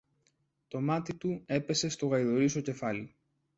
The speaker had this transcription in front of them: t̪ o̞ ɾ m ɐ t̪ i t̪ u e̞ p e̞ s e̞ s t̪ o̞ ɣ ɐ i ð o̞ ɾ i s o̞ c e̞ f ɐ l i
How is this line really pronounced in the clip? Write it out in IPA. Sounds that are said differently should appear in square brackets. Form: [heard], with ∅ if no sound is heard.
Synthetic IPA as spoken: t̪ o̞ [∅] m ɐ t̪ i t̪ u e̞ p e̞ s e̞ s t̪ o̞ ɣ ɐ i ð o̞ ɾ i s o̞ c e̞ f ɐ l i